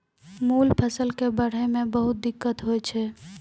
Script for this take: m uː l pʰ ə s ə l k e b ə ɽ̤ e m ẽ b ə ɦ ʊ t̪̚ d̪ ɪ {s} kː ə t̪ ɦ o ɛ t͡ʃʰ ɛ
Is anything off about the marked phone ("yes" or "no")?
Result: yes